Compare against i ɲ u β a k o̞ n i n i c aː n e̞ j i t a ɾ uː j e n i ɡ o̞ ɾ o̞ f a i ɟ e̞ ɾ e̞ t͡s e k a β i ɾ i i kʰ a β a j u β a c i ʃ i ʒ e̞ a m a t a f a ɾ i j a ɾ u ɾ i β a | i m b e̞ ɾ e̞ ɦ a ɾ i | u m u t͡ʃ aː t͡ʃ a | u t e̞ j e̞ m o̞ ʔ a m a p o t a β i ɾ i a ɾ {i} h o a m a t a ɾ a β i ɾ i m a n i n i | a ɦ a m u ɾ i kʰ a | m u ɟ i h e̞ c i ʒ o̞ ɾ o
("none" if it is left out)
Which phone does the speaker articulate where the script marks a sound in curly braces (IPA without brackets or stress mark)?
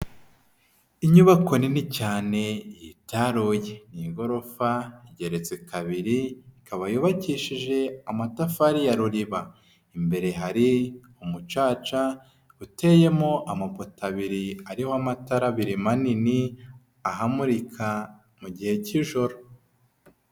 i